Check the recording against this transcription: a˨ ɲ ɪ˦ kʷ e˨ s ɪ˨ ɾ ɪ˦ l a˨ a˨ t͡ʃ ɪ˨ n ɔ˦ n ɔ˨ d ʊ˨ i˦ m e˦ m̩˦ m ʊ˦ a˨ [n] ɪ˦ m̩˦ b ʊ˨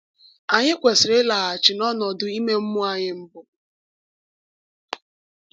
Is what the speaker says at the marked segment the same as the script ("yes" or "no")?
no